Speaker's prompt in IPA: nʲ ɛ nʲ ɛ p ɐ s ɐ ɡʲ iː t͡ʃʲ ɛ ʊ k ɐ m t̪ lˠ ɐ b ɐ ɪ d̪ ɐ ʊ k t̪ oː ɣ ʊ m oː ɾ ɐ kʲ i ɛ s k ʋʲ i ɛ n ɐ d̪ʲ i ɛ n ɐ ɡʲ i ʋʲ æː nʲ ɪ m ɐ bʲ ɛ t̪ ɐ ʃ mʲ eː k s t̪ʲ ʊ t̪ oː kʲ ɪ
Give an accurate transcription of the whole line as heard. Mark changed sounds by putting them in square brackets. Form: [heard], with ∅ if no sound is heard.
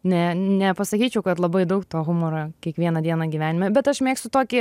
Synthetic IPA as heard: nʲ ɛ nʲ ɛ p ɐ s ɐ [kʲ] iː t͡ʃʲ ɛ ʊ k ɐ [∅] t̪ lˠ ɐ b ɐ ɪ d̪ ɐ ʊ k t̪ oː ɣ ʊ m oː ɾ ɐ kʲ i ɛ [∅] k ʋʲ i ɛ n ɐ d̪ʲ i ɛ n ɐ ɡʲ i ʋʲ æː nʲ ɪ m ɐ bʲ ɛ t̪ ɐ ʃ mʲ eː k s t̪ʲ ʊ t̪ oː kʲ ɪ